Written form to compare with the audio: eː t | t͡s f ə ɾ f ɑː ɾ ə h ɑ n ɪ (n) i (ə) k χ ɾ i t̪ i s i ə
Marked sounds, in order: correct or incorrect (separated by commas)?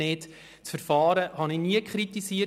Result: correct, correct